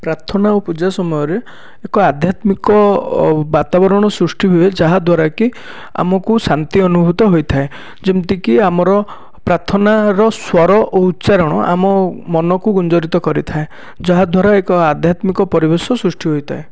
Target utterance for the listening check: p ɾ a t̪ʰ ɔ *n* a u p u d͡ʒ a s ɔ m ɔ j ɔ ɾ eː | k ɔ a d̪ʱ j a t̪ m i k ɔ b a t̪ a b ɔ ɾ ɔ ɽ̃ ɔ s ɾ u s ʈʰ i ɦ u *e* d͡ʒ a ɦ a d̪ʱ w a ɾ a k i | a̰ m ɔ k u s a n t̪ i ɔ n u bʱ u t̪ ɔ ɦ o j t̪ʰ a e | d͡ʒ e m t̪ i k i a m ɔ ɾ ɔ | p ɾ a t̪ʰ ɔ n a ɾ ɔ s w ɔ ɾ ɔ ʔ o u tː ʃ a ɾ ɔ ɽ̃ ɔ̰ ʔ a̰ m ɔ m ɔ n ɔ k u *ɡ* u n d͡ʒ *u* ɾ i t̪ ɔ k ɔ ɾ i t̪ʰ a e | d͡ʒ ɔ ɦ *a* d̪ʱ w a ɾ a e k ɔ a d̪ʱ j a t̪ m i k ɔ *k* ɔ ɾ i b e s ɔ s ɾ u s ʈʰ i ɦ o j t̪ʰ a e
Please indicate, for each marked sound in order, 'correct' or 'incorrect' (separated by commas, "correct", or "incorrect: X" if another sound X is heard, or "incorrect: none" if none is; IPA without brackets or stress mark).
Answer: correct, correct, correct, incorrect: ɔ, correct, incorrect: p